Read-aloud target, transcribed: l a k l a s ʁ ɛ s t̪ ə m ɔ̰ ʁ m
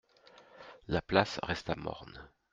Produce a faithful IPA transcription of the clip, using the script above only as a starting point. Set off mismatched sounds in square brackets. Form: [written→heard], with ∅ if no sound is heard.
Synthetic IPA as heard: l a [k→p] l a s ʁ ɛ s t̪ [ə→a] m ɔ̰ ʁ [m→n]